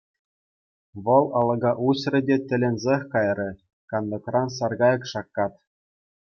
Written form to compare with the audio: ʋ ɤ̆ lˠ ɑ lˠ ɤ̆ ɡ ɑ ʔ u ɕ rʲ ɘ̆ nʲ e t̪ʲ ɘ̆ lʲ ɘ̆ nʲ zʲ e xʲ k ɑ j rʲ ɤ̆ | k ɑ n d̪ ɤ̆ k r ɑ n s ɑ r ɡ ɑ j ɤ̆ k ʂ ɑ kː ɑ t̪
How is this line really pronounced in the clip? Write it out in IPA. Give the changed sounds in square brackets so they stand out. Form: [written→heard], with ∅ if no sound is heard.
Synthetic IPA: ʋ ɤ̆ lˠ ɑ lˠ ɤ̆ ɡ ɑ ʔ u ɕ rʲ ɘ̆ [nʲ→dʲ] e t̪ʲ ɘ̆ lʲ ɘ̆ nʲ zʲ e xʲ k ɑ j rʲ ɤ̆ | k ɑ n d̪ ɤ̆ k r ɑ n s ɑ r ɡ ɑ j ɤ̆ k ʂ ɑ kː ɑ t̪